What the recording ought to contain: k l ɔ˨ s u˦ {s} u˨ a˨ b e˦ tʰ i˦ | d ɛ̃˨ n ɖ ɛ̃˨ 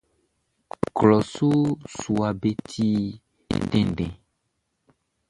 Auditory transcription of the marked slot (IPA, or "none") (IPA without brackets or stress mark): s